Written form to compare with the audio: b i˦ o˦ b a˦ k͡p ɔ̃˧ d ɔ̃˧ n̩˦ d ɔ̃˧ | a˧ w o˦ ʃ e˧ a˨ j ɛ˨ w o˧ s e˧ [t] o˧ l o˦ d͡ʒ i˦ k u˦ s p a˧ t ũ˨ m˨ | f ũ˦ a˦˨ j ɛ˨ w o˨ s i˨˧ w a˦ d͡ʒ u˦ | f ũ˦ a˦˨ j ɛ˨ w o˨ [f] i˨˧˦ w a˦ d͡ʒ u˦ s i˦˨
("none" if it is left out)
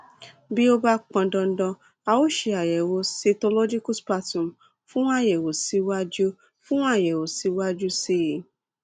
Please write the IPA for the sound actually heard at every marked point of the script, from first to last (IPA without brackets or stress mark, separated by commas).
t, s